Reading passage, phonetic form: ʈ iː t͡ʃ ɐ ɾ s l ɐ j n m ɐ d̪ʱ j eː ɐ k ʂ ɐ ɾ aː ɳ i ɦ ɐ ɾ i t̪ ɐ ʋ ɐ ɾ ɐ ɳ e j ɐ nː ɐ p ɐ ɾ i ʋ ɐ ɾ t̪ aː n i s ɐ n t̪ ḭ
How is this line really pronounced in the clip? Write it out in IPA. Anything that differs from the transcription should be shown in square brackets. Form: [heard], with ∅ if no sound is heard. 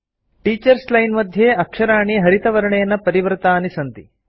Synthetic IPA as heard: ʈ iː t͡ʃ ɐ ɾ s l ɐ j n m ɐ d̪ʱ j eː ɐ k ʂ ɐ ɾ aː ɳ i ɦ ɐ ɾ i t̪ ɐ ʋ ɐ ɾ ɐ ɳ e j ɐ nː ɐ p ɐ ɾ i ʋ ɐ ɾ t̪ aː n i s ɐ n t̪ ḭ